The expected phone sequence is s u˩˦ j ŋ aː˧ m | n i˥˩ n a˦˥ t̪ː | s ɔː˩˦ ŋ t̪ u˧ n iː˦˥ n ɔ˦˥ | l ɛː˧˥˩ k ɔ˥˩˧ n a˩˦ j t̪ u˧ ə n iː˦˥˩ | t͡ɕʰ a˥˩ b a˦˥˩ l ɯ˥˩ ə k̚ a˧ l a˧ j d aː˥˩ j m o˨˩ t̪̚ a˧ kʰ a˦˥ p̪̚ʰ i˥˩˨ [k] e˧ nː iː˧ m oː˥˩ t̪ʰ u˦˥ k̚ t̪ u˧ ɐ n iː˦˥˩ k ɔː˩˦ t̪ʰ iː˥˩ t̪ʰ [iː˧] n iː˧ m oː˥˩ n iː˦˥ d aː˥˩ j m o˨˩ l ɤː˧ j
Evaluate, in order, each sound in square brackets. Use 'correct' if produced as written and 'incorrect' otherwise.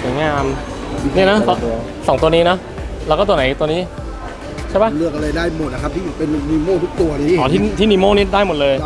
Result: incorrect: p, incorrect: iː˥˩

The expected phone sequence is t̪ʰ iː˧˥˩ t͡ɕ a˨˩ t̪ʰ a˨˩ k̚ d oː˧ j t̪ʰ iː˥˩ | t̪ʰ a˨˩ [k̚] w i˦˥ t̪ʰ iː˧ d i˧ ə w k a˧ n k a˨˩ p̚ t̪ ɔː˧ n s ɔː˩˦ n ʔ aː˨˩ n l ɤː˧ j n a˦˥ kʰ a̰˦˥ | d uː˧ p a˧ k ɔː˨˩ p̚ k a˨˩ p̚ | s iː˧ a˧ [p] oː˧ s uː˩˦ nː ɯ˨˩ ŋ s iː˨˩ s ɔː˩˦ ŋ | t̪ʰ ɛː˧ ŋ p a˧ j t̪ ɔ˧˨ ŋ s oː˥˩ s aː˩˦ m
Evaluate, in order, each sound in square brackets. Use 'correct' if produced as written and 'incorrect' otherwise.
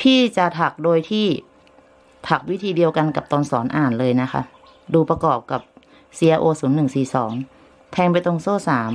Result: correct, incorrect: ʔ

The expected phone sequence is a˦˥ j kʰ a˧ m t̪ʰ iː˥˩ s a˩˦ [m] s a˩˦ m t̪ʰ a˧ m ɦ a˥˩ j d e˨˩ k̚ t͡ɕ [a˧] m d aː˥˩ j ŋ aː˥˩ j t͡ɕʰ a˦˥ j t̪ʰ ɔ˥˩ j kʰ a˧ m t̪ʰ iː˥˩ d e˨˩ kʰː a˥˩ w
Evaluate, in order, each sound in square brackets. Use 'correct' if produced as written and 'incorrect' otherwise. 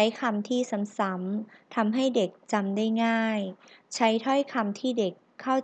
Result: correct, correct

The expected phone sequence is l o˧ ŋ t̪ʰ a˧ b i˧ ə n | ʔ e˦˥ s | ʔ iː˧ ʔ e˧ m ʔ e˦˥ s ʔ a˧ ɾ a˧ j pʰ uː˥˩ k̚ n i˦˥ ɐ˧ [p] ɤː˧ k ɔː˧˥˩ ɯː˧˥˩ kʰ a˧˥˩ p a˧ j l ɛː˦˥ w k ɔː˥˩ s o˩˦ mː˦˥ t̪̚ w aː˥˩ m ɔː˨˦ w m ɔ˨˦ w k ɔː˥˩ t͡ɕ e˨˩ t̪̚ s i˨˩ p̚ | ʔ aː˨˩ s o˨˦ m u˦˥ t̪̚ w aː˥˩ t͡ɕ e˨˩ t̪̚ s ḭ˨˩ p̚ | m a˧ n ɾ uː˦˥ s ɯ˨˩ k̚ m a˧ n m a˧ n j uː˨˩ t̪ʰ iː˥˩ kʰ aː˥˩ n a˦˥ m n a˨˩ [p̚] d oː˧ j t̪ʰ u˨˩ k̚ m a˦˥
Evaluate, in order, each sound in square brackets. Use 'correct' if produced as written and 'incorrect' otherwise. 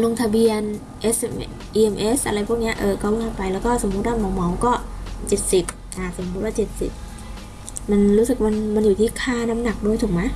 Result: incorrect: ʔ, incorrect: k̚

